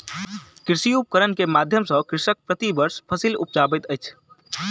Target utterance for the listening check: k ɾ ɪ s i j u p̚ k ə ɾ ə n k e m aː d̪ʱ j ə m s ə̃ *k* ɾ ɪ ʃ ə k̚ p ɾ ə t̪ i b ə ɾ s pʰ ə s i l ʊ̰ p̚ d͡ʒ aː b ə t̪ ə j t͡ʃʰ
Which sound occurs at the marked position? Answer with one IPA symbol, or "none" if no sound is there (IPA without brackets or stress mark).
k